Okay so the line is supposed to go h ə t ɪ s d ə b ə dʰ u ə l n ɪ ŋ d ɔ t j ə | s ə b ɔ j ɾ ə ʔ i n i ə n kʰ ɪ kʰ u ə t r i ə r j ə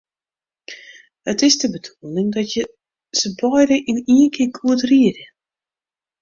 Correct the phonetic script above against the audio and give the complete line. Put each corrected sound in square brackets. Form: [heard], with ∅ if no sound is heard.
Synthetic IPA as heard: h ə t ɪ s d ə b ə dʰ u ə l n ɪ ŋ d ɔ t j ə | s ə b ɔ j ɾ ə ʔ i n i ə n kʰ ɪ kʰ u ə t r i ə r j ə